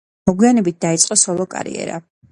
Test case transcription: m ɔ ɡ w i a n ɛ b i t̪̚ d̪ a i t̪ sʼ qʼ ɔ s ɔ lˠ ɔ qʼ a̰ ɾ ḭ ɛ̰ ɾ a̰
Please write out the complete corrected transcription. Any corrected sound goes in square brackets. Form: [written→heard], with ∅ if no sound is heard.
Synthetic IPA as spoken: m ɔ ɡ w i a n ɛ b i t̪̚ d̪ a i t̪ sʼ qʼ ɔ s ɔ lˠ ɔ [qʼ→kʼ] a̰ ɾ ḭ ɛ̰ ɾ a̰